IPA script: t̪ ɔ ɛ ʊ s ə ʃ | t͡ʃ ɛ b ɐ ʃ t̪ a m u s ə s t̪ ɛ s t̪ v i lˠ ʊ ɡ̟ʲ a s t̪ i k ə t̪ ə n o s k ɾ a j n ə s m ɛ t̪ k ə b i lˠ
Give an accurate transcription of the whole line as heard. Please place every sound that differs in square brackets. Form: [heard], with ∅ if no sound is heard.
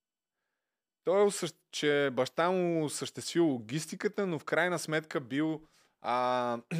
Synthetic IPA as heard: t̪ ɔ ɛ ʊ s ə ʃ | t͡ʃ ɛ b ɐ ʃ t̪ a m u s ə [ʃ] t̪ ɛ s t̪ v i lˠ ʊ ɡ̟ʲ [i] s t̪ i k ə t̪ ə n o [f] k ɾ a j n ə s m ɛ t̪ k ə b i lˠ